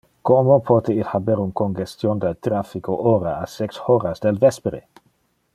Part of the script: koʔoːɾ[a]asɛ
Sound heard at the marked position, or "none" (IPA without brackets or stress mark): a